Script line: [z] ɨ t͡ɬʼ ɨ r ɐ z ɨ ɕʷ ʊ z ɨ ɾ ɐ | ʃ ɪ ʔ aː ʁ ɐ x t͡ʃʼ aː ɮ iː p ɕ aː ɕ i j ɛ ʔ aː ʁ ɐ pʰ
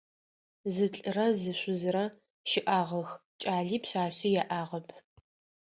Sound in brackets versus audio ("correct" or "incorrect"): correct